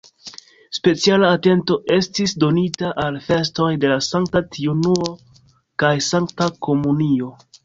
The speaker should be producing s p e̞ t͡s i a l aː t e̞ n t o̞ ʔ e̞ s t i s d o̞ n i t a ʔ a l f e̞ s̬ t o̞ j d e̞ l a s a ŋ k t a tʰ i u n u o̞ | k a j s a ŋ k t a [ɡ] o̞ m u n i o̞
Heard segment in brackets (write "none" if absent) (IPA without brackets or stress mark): k